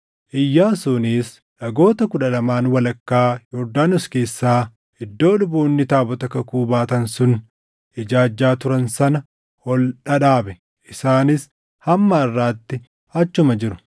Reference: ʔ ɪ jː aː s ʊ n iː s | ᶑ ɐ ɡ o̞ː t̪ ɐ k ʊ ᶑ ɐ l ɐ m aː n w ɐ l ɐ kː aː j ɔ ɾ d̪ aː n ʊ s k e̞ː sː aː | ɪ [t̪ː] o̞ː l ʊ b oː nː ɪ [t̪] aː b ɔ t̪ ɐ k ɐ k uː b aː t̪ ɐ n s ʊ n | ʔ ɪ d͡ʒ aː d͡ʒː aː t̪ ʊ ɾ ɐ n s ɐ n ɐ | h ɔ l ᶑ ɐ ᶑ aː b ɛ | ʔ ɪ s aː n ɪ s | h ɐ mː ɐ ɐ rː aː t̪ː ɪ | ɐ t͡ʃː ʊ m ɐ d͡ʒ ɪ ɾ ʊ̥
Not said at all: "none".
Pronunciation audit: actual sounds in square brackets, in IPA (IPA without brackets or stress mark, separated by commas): d̪ː, t̪